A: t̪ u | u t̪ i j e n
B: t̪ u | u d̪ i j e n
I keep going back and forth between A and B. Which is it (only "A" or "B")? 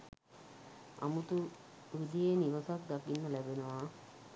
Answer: B